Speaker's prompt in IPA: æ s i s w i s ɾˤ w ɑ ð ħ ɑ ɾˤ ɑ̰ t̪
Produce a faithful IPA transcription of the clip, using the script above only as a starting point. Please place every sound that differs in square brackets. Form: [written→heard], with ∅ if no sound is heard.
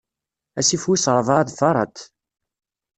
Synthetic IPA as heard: æ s i [s→f] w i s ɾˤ [w→v] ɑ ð [ħ→f] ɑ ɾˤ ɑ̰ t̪